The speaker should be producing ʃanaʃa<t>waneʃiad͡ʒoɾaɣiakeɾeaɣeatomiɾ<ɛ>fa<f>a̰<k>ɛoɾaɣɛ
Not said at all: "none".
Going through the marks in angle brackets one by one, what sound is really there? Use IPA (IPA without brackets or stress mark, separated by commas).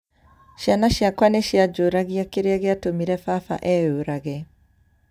k, ɛ, f, ʔ